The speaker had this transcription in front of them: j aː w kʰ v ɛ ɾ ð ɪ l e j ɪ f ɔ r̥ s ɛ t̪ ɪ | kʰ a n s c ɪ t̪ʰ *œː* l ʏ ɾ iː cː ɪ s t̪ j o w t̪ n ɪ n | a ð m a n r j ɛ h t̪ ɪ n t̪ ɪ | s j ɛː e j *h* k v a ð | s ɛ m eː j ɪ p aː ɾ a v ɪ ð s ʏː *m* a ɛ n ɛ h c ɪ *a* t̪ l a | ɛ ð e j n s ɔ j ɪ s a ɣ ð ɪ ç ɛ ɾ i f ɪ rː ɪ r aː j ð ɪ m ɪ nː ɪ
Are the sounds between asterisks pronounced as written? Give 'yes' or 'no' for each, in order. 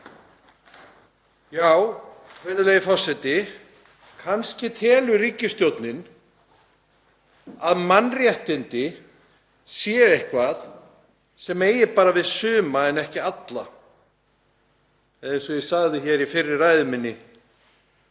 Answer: no, yes, yes, yes

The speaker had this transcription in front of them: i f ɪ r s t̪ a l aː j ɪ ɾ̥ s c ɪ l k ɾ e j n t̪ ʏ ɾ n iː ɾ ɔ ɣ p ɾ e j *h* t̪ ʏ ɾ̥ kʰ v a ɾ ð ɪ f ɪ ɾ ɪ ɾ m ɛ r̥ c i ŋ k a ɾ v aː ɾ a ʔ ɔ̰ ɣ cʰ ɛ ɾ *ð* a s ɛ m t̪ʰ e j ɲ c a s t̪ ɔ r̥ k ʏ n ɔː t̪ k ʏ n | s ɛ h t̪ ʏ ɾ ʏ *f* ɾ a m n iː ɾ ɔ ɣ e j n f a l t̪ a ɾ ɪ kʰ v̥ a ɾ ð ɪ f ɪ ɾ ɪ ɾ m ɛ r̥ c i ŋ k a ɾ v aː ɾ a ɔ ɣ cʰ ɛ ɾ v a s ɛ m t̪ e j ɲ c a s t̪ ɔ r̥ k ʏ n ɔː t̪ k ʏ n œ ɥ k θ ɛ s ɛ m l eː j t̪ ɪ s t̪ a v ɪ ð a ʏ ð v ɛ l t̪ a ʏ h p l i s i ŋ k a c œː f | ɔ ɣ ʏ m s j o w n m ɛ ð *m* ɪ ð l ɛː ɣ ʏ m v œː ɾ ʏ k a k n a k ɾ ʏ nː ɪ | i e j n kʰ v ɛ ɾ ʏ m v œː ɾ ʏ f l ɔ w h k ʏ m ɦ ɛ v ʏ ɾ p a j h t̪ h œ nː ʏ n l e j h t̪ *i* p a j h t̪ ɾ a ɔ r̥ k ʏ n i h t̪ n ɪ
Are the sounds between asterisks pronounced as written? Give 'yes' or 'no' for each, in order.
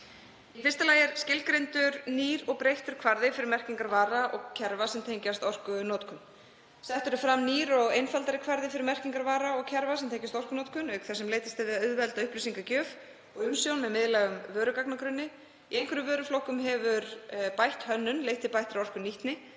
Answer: yes, no, yes, yes, no

